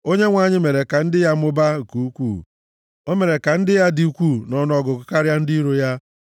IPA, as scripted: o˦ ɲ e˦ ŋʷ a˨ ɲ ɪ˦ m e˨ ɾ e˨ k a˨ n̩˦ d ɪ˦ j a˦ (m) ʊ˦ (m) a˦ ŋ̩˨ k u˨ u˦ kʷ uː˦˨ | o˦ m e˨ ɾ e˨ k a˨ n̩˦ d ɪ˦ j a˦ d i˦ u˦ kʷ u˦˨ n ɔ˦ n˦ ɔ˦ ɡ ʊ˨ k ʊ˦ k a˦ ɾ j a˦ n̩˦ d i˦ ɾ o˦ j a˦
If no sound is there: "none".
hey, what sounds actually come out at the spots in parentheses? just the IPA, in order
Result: m, b

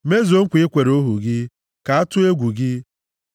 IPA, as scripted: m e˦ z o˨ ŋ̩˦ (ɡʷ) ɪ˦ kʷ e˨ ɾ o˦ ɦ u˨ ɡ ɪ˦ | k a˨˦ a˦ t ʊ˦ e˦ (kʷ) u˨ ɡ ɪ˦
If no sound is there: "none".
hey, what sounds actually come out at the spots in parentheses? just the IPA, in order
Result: kʷ, ɡʷ

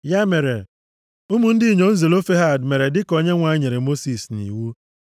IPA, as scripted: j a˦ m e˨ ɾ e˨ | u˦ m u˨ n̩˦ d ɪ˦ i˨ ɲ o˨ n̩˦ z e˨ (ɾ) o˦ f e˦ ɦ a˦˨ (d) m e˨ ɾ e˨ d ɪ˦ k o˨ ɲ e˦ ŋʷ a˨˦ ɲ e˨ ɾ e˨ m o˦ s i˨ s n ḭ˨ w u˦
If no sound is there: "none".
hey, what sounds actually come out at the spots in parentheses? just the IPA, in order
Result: l, d

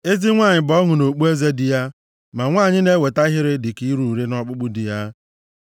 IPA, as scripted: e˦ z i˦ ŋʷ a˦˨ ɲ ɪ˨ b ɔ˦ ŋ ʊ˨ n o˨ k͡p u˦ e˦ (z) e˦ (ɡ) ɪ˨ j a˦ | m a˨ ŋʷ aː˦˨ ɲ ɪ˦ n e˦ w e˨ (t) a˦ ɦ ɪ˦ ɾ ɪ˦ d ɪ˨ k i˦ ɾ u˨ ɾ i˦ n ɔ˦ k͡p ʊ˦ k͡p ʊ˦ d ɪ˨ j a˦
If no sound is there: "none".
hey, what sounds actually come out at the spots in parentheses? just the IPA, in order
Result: z, d, t

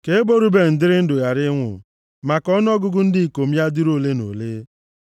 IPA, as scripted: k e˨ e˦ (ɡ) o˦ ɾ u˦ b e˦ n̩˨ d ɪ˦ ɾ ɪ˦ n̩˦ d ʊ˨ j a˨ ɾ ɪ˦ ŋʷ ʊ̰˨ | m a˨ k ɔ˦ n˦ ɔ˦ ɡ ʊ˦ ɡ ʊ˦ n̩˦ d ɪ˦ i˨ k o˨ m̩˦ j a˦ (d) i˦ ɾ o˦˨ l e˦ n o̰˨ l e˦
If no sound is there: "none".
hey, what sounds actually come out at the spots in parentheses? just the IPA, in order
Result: b, d

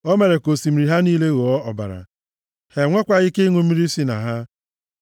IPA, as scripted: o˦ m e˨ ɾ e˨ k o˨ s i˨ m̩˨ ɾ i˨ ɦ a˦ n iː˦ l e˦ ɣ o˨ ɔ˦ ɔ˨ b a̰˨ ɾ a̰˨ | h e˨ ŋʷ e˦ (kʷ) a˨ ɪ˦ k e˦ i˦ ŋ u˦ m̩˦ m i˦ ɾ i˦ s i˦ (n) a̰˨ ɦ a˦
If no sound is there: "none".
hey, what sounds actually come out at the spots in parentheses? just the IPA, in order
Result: kʷ, n

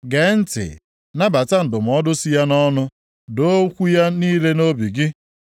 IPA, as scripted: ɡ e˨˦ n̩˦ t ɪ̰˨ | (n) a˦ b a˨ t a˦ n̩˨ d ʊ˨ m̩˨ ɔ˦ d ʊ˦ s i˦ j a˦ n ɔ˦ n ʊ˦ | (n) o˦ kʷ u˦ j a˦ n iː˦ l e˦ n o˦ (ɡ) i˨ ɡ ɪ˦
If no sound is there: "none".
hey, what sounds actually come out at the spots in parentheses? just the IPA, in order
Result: n, d, b

